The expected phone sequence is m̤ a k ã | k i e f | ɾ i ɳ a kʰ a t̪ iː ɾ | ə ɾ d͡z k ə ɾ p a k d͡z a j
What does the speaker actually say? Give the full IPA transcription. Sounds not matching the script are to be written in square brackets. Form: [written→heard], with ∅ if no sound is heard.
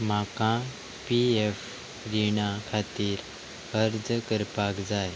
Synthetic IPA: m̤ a k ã | [k→p] i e f | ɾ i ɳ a kʰ a t̪ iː ɾ | ə ɾ d͡z k ə ɾ p a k d͡z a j